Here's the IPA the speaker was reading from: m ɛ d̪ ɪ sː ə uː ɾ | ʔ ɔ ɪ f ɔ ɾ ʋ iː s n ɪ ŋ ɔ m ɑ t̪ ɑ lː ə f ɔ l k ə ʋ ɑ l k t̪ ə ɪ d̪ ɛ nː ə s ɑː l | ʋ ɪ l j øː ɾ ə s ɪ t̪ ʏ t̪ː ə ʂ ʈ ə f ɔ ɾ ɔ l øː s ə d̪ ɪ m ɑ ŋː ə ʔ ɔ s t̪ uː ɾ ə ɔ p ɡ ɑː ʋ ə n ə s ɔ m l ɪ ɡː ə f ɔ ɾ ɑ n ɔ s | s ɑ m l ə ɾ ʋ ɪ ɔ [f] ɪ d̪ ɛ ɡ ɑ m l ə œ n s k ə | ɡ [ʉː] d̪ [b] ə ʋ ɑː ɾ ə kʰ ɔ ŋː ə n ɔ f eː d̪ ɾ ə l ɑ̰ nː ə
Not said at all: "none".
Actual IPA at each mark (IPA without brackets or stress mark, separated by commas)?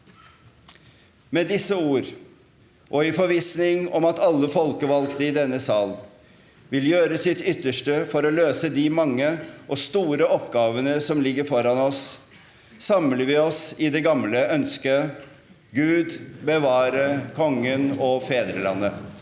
s, ʉː, b